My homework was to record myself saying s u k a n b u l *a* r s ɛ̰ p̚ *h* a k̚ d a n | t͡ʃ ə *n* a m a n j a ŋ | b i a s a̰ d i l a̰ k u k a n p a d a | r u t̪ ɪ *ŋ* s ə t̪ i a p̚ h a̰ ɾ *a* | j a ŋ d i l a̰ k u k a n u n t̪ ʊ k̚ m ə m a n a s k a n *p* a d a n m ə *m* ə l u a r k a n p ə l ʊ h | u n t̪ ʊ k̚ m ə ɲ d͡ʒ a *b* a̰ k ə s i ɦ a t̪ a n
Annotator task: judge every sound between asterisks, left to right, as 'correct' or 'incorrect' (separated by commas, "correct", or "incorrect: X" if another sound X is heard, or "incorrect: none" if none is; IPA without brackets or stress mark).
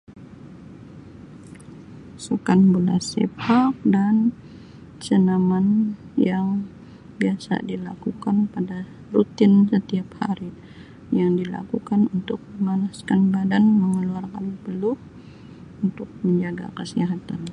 correct, correct, correct, incorrect: n, incorrect: i, incorrect: b, incorrect: ŋ, incorrect: ɡ